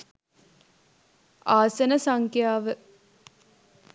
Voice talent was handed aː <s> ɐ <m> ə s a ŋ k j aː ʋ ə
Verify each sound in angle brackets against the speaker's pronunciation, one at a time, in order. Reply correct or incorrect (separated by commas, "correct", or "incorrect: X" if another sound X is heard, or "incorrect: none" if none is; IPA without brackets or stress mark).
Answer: correct, incorrect: n